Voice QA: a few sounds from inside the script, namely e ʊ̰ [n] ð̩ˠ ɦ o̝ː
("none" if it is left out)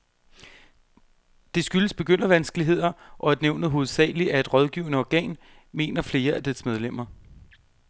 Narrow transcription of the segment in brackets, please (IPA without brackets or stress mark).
n